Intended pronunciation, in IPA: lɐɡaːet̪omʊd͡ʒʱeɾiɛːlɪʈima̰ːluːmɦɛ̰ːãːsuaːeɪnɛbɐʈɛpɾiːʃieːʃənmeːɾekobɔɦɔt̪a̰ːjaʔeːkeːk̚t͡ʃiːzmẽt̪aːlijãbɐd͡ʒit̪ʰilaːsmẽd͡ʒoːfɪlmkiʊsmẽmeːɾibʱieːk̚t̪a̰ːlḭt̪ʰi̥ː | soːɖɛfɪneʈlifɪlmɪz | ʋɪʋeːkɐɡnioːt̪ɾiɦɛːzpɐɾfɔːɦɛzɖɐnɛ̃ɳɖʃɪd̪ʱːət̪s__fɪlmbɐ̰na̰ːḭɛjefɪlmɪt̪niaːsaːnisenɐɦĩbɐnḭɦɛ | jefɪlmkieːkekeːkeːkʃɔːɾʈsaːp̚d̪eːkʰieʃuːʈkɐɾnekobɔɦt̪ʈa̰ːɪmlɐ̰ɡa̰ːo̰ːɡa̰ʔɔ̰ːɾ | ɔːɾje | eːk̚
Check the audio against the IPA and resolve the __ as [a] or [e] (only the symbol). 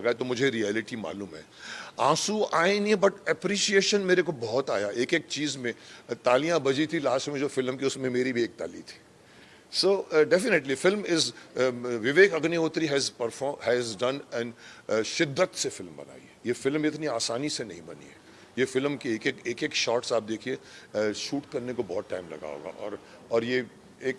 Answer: e